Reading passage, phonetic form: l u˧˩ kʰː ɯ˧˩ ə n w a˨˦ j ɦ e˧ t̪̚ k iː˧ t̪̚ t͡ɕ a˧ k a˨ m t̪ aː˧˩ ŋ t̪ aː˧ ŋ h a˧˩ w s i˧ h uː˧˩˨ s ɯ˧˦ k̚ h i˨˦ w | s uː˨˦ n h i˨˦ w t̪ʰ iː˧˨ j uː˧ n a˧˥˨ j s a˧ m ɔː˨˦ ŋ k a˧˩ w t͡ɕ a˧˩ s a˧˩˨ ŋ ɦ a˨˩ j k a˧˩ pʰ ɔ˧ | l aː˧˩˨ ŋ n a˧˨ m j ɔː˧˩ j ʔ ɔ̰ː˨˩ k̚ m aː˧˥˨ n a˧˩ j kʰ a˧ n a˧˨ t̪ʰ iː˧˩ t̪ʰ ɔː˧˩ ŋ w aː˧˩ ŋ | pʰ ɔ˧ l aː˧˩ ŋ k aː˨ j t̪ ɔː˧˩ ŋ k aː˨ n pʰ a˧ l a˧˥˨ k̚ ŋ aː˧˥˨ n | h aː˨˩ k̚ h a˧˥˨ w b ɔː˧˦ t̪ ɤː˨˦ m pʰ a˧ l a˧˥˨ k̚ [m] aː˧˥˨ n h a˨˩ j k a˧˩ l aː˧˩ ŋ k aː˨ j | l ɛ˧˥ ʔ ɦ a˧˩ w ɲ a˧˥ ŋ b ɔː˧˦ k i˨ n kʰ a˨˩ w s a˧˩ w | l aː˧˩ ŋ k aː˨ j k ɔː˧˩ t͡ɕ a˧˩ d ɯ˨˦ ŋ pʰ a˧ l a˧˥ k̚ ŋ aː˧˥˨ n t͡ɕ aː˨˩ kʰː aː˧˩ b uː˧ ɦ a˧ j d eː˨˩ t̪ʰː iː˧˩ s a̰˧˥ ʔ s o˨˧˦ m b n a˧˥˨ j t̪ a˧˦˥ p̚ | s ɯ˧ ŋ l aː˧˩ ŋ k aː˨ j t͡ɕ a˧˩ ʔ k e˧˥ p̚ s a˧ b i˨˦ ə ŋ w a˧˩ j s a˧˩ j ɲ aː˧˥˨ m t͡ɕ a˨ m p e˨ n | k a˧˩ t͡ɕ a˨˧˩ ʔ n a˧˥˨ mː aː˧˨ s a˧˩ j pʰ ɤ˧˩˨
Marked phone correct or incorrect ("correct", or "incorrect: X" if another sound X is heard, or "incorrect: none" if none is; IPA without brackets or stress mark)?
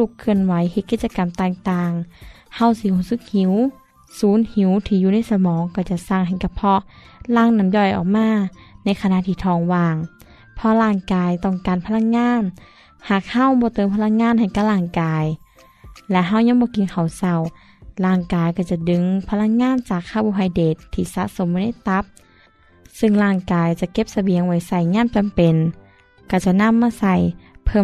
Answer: incorrect: ŋ